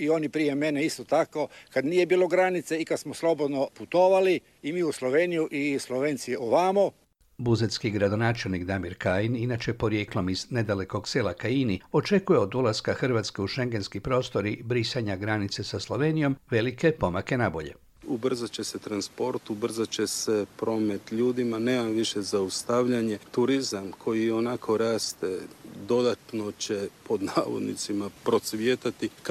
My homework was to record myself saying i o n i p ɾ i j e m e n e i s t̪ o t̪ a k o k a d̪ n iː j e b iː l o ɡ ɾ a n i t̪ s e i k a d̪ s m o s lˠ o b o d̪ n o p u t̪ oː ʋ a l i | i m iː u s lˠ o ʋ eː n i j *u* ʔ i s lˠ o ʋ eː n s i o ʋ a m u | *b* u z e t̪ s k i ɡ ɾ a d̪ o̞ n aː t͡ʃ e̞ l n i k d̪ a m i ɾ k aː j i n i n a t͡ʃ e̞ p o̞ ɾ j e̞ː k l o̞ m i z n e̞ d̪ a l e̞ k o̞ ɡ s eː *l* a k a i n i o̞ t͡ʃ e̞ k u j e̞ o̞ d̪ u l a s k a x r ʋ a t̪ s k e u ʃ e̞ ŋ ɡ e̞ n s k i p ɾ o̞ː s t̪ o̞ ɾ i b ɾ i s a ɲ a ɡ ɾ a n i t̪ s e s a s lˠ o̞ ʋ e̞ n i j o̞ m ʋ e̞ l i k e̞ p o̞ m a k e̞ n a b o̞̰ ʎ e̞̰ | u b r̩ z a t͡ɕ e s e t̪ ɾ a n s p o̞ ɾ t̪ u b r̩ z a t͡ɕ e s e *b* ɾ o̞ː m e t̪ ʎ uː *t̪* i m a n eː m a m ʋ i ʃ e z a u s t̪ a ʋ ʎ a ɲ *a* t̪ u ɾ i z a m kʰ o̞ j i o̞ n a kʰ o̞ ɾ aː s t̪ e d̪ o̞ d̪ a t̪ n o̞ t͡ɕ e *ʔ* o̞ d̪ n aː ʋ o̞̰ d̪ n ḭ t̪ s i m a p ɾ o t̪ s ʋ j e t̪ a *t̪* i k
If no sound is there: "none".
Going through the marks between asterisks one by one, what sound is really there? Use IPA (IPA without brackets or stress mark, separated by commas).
u, b, l, p, d̪, e, p, t̪